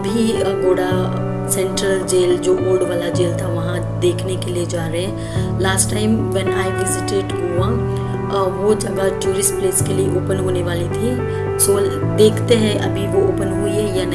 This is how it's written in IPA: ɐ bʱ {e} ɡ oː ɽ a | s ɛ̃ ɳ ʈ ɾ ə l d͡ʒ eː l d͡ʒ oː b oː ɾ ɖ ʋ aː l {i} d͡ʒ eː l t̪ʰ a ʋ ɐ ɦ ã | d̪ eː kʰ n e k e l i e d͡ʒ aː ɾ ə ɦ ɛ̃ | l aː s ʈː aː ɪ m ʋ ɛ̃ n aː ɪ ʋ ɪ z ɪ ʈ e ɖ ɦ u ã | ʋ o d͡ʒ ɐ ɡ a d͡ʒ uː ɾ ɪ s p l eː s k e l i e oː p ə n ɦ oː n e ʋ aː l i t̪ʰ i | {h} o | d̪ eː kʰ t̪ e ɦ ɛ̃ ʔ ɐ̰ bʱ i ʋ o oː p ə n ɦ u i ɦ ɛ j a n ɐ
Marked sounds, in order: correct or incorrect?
incorrect: i, incorrect: a, incorrect: s

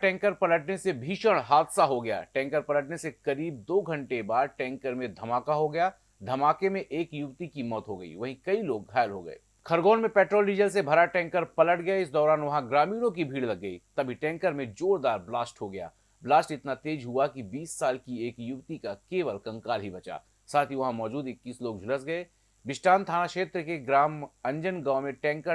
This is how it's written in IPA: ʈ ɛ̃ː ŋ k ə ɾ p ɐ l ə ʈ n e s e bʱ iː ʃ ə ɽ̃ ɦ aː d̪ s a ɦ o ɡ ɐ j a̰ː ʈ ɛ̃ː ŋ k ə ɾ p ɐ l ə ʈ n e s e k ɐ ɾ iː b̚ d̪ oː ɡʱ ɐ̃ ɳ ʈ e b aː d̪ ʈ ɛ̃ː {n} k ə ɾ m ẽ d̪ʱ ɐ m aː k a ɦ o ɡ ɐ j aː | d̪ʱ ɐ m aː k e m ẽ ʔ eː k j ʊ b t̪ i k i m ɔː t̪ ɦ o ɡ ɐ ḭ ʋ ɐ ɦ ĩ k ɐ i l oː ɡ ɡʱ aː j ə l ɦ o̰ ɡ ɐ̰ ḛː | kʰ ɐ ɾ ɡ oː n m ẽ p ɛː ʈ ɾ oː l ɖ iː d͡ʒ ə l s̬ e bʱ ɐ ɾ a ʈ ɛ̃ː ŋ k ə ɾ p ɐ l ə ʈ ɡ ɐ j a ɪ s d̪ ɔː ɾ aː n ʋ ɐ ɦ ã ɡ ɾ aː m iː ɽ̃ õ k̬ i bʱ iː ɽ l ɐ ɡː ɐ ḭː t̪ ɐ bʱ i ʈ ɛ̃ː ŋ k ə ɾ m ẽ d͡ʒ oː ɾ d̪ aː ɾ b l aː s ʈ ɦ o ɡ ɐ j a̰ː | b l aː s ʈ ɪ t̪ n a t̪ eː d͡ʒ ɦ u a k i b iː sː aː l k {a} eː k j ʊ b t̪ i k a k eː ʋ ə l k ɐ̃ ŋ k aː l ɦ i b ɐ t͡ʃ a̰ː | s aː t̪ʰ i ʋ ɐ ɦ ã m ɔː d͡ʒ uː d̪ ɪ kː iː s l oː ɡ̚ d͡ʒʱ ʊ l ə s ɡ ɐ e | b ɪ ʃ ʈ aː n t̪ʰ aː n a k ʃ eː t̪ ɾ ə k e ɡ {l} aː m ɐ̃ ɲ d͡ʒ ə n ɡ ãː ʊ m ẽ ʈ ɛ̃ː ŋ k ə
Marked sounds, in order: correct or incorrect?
incorrect: ŋ, incorrect: i, incorrect: ɾ

